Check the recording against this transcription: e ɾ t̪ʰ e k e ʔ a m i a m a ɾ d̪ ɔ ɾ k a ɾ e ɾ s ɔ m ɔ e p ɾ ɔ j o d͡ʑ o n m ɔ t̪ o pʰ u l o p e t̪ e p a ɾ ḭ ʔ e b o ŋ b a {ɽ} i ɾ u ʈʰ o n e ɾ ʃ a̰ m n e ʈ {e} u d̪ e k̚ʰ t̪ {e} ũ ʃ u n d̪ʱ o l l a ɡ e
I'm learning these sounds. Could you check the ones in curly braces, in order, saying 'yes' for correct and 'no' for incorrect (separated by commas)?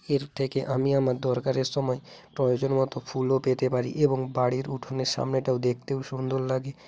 yes, no, yes